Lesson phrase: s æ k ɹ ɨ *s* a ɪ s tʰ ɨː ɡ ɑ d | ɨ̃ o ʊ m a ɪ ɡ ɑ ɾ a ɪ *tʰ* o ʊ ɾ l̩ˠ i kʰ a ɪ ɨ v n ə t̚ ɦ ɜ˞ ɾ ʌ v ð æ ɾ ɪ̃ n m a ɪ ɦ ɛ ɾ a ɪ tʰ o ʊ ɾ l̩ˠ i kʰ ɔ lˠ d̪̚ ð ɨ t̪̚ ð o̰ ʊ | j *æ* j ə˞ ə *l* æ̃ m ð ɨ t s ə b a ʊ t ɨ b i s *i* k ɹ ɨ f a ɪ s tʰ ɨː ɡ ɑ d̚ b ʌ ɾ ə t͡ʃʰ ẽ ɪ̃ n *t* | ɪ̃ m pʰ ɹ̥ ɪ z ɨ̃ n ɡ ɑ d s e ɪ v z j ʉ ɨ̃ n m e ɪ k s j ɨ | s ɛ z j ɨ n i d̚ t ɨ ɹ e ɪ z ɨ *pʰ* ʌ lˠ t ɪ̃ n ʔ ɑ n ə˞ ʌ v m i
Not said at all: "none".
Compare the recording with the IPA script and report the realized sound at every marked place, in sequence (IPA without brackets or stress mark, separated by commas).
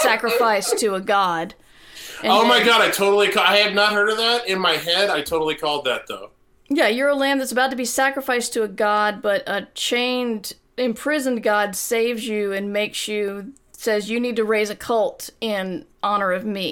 f, tʰ, æ, l, æ, d, kʰ